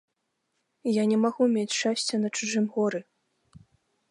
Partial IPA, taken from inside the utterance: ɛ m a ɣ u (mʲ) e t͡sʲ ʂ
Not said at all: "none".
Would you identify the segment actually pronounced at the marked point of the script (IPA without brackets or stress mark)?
mʲ